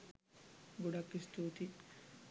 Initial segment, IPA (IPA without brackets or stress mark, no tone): ɡ